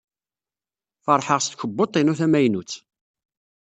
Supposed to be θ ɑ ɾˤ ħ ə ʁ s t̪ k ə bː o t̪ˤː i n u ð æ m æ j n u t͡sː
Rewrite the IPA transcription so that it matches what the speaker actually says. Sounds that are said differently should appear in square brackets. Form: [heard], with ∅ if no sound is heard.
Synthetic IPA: [f] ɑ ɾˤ ħ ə ʁ s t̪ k ə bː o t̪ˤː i n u [θ] æ m æ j n u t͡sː